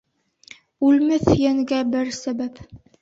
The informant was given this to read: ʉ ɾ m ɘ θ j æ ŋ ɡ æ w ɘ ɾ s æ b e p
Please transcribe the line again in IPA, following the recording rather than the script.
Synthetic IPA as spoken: ʉ l m ɘ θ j æ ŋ ɡ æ b ɘ ɾ s æ b æ p